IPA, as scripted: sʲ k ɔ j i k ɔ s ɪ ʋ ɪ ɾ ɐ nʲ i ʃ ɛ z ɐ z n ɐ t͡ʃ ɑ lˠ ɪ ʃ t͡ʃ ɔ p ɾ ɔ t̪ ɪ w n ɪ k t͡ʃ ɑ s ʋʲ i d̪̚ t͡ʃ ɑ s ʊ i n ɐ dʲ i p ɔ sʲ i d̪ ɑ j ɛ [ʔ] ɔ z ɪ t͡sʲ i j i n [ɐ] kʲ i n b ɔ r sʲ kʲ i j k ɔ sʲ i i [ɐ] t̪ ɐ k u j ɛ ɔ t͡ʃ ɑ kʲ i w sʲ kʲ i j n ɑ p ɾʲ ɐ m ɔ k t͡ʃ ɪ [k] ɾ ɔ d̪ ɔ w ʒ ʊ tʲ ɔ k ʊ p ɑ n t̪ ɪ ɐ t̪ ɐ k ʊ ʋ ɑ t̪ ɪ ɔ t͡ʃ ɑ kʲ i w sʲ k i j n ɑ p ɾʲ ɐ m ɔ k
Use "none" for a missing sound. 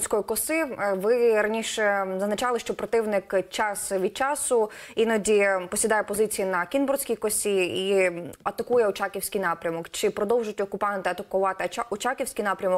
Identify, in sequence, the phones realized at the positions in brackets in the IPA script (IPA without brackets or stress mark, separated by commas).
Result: p, ɐ, ɐ, p